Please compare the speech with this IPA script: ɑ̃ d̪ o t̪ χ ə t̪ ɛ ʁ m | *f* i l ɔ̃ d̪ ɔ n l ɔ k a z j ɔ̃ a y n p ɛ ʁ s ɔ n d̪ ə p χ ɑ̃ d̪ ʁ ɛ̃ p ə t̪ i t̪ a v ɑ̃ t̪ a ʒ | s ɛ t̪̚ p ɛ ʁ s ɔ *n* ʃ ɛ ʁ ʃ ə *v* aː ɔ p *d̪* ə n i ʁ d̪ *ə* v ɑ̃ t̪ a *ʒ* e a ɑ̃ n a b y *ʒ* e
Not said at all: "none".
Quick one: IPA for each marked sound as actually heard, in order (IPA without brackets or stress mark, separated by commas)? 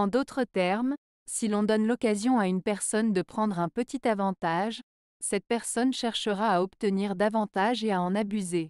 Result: s, n, ʁ, t̪, a, ʒ, z